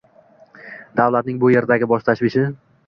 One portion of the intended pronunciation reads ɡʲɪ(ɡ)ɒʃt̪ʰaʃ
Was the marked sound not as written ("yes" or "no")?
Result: yes